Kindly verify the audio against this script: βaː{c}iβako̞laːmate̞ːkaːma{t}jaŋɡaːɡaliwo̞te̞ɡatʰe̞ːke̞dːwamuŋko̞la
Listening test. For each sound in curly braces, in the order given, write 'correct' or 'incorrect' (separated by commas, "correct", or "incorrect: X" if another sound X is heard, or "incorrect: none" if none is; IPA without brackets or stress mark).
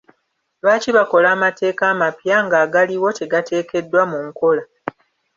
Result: correct, incorrect: p